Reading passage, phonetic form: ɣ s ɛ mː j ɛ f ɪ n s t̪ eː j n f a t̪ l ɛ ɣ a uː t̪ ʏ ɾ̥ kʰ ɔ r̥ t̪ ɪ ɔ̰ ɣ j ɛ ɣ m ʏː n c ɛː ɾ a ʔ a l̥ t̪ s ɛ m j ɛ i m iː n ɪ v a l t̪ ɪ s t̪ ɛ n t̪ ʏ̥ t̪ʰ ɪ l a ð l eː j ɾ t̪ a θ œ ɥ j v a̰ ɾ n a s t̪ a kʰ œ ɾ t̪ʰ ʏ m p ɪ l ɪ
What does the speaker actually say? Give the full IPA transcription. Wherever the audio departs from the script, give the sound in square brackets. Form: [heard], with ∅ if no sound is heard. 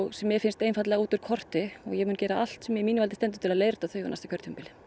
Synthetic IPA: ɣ s ɛ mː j ɛ f ɪ n s t̪ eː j n f a t̪ l ɛ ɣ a uː t̪ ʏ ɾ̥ kʰ ɔ r̥ t̪ ɪ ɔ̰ ɣ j ɛ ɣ m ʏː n c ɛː ɾ a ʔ a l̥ t̪ s ɛ m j ɛ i m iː n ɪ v a l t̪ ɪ s t̪ ɛ n t̪ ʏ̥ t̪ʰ ɪ l a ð l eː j ɾ t̪ a θ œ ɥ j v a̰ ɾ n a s t̪ a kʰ œ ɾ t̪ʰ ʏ m p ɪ l ɪ